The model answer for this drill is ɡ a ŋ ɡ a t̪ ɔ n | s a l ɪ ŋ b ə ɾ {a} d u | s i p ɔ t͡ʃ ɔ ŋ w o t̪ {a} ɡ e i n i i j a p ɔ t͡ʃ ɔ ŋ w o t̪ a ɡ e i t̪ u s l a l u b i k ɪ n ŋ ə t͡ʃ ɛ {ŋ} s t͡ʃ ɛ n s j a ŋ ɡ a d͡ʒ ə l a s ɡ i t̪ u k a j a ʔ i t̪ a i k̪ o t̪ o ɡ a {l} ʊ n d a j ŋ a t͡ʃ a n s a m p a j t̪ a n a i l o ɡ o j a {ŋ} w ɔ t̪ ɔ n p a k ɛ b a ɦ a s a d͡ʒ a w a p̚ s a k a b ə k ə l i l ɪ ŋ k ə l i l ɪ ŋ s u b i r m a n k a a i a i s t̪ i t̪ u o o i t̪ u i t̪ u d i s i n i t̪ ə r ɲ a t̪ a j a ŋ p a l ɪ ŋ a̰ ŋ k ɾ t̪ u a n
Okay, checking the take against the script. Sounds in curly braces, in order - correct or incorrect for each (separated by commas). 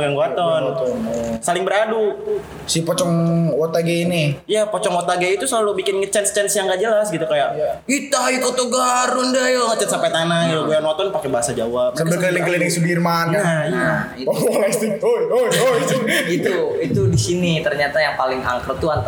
correct, correct, incorrect, incorrect, incorrect